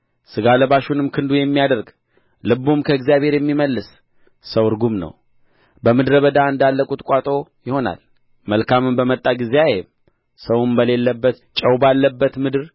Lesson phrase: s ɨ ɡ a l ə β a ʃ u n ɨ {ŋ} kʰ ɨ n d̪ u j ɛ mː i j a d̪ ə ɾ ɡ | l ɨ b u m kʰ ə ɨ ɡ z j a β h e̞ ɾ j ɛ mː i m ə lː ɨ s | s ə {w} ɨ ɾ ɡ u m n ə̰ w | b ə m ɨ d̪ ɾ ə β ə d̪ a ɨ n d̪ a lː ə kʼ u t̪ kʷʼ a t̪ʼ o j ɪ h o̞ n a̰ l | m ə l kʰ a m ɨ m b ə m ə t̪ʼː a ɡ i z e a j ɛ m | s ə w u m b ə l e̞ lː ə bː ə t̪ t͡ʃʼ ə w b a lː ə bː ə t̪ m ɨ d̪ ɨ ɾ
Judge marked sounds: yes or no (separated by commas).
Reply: no, yes